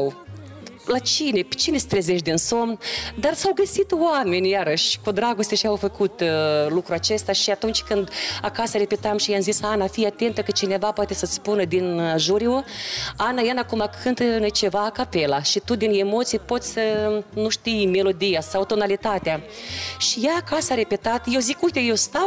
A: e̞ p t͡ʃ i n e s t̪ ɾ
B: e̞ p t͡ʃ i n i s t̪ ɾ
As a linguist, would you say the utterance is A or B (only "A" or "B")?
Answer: A